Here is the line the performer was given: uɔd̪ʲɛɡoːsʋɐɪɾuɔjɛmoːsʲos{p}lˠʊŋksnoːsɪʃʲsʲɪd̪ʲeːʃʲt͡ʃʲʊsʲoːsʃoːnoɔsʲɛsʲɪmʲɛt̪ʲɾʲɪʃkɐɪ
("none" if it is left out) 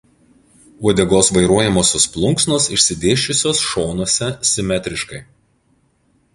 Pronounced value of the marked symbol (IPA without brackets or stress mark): p